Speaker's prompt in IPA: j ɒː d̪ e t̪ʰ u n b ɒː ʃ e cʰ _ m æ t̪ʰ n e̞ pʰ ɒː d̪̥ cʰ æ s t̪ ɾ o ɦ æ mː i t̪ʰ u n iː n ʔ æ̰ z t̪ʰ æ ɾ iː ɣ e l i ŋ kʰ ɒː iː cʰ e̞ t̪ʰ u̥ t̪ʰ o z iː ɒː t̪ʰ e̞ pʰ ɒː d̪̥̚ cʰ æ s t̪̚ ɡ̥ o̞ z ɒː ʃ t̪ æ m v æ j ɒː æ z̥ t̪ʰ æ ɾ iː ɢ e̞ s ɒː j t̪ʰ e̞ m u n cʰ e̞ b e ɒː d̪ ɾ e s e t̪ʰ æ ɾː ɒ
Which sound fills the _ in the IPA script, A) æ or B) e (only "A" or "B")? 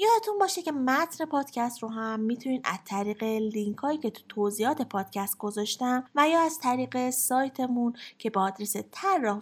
B